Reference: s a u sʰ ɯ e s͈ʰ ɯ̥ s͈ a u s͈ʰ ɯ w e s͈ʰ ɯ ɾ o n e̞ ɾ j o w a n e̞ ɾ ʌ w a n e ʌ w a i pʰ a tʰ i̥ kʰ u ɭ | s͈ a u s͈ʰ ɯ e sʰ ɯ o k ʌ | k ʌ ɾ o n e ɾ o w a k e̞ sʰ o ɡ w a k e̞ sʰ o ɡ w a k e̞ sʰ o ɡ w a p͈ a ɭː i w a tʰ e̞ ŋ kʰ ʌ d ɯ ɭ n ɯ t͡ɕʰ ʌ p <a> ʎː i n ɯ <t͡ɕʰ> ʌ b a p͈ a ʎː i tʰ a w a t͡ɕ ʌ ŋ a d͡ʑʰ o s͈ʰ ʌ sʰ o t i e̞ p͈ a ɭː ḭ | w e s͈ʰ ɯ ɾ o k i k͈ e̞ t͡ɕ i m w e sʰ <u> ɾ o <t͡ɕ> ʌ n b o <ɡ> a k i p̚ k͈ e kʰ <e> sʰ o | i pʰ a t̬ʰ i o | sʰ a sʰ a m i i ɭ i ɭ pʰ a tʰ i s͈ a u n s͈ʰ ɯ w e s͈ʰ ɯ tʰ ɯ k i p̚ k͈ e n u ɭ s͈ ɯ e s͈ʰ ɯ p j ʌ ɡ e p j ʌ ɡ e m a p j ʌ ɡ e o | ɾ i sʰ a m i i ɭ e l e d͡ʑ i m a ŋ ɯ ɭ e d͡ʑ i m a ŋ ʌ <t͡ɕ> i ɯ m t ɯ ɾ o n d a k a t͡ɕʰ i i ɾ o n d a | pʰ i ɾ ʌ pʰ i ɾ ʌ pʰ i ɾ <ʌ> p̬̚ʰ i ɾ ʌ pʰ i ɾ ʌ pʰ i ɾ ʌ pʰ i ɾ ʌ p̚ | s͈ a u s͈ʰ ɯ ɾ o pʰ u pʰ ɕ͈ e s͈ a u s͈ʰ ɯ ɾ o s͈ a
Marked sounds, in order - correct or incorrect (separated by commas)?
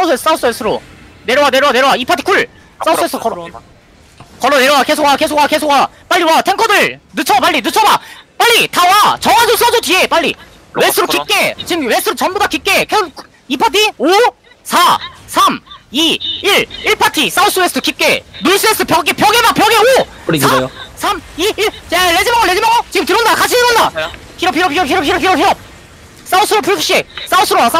correct, correct, incorrect, correct, incorrect, correct, correct, correct